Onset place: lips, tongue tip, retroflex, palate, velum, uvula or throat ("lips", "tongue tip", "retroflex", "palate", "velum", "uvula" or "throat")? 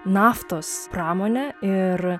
tongue tip